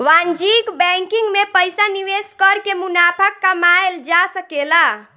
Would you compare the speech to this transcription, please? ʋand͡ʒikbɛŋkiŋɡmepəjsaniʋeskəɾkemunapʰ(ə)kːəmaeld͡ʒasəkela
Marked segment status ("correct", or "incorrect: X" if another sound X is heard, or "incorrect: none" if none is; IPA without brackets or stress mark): correct